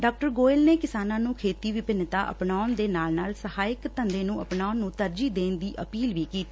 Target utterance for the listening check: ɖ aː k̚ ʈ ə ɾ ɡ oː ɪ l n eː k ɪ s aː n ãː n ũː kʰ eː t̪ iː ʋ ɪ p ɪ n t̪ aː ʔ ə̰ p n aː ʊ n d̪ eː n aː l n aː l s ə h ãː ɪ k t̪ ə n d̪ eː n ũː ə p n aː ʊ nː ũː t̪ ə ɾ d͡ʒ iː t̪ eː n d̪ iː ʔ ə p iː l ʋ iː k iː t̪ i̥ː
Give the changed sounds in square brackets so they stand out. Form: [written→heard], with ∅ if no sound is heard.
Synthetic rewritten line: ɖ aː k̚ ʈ ə ɾ ɡ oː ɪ l n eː k ɪ s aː n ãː n ũː kʰ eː t̪ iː ʋ ɪ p ɪ n t̪ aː ʔ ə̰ p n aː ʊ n d̪ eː n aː l n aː l s ə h [ãː→aː] ɪ k t̪ ə n d̪ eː n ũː ə p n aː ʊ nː ũː t̪ ə ɾ d͡ʒ iː [t̪→d̪] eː n d̪ iː ʔ ə p iː l ʋ iː k iː t̪ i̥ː

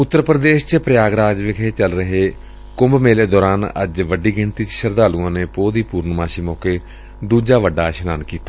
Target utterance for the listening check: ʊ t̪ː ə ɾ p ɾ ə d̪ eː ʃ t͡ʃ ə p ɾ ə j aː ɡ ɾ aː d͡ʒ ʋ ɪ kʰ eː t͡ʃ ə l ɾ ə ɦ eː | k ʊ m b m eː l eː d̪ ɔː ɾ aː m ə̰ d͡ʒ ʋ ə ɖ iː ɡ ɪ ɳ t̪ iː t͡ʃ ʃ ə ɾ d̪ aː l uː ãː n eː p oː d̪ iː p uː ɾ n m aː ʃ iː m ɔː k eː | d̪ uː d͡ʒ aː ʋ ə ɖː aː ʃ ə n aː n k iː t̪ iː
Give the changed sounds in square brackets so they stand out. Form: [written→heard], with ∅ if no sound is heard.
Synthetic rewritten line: ʊ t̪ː ə ɾ p ɾ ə d̪ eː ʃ t͡ʃ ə p ɾ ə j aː ɡ ɾ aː d͡ʒ ʋ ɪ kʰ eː t͡ʃ ə l ɾ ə ɦ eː | k ʊ m b m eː l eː d̪ ɔː ɾ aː [m→n] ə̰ d͡ʒ ʋ ə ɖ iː ɡ ɪ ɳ t̪ iː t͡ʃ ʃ ə ɾ d̪ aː l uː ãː n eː p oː d̪ iː p uː ɾ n m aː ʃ iː m ɔː k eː | d̪ uː d͡ʒ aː ʋ ə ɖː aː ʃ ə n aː n k iː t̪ [iː→aː]

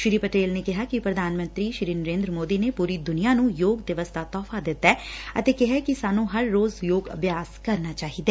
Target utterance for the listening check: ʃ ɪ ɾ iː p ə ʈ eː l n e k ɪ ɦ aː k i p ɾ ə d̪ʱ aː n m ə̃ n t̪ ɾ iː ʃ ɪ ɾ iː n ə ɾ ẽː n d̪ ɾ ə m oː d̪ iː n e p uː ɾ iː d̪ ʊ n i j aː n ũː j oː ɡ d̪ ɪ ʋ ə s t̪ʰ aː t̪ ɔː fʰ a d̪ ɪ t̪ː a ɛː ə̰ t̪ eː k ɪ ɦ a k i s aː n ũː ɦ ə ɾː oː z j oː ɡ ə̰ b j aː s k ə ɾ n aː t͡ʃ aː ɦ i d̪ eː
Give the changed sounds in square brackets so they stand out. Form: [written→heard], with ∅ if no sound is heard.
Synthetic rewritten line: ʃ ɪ ɾ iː p ə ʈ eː l n e k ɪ ɦ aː k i p ɾ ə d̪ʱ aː n m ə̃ n t̪ ɾ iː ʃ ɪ ɾ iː n ə ɾ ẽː n d̪ ɾ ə m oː d̪ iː n e p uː ɾ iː d̪ ʊ n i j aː n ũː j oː ɡ d̪ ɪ ʋ ə s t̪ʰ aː t̪ ɔː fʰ a d̪ ɪ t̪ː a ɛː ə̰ t̪ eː k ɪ ɦ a k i s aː n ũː ɦ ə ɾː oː z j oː ɡ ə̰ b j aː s k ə ɾ n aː t͡ʃ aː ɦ i d̪ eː

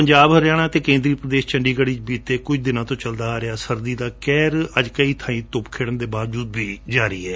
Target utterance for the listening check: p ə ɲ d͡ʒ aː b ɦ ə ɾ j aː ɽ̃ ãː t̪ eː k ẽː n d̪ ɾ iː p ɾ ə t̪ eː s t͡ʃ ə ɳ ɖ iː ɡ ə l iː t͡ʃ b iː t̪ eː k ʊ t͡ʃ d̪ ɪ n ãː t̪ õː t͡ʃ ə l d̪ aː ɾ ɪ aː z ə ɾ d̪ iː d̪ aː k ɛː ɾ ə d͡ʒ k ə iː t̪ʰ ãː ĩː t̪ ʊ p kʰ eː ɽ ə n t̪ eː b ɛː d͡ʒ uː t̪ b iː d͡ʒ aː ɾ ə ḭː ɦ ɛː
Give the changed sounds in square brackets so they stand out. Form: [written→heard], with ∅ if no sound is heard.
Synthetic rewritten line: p ə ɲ d͡ʒ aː b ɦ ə ɾ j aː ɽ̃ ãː t̪ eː k ẽː n d̪ ɾ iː p ɾ ə [t̪→d̪] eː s t͡ʃ ə ɳ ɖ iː ɡ ə [l→ɽ] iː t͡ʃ b iː t̪ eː k ʊ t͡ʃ d̪ ɪ n ãː t̪ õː t͡ʃ ə l d̪ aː ɾ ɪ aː [z→s] ə ɾ d̪ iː d̪ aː k ɛː ɾ ə d͡ʒ k ə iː t̪ʰ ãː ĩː t̪ ʊ p kʰ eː ɽ ə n [t̪→d̪] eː b [ɛː→aː] d͡ʒ uː [t̪→d̪] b iː d͡ʒ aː ɾ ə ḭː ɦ ɛː

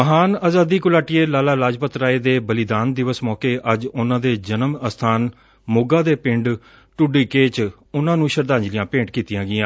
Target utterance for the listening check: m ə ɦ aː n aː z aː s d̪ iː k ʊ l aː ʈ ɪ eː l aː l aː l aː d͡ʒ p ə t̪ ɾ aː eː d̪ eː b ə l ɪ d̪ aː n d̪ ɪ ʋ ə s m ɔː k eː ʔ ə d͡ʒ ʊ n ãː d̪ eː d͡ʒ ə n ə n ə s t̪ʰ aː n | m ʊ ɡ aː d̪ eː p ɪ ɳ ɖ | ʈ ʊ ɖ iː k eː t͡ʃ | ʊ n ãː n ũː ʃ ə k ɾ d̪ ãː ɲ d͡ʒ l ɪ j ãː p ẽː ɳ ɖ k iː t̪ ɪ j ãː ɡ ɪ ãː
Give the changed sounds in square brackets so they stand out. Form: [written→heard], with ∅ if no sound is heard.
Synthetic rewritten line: m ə ɦ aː n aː z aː [s→∅] d̪ iː k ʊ l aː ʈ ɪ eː l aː l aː l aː d͡ʒ p ə t̪ ɾ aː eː d̪ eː b ə l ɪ d̪ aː n d̪ ɪ ʋ ə s m ɔː k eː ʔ ə d͡ʒ ʊ n ãː d̪ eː d͡ʒ ə n ə [n→m] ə s t̪ʰ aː n | m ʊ ɡ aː d̪ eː p ɪ ɳ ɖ | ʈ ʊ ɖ iː k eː t͡ʃ | ʊ n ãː n ũː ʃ ə [k→∅] ɾ d̪ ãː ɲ d͡ʒ l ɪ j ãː p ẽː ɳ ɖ k iː t̪ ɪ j ãː ɡ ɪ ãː

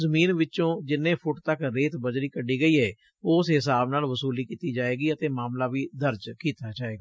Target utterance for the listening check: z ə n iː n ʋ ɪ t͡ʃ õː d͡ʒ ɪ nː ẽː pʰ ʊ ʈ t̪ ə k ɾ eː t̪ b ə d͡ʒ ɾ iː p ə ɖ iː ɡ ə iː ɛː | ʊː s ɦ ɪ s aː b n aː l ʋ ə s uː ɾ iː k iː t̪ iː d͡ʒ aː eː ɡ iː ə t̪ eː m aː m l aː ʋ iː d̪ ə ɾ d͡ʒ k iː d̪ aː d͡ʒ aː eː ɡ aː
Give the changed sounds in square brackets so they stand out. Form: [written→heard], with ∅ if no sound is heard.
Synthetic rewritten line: z ə [n→m] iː n ʋ ɪ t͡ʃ õː d͡ʒ ɪ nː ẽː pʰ ʊ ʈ t̪ ə k ɾ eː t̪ b ə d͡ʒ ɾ iː [p→k] ə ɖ iː ɡ ə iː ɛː | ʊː s ɦ ɪ s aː b n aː l ʋ ə s uː [ɾ→l] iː k iː t̪ iː d͡ʒ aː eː ɡ iː ə t̪ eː m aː m l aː ʋ iː d̪ ə ɾ d͡ʒ k iː [d̪→t̪] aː d͡ʒ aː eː ɡ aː

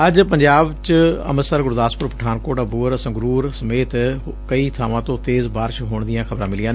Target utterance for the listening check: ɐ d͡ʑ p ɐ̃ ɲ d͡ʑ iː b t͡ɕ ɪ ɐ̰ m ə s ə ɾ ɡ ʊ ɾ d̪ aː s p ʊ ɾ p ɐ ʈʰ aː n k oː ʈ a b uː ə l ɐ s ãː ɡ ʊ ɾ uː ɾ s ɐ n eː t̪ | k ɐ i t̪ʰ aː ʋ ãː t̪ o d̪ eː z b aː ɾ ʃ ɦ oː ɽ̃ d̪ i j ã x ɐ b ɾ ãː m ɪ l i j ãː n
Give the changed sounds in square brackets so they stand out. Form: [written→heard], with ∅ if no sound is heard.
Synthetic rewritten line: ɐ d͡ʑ p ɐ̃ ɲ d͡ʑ [iː→aː] b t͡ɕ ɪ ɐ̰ m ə s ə ɾ ɡ ʊ ɾ d̪ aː s p ʊ ɾ p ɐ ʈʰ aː n k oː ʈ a b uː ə [l→ɾ] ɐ s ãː ɡ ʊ ɾ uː ɾ s ɐ [n→m] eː t̪ | k ɐ i t̪ʰ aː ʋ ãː t̪ o [d̪→t̪] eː z b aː ɾ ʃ ɦ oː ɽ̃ d̪ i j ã x ɐ b ɾ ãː m ɪ l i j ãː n

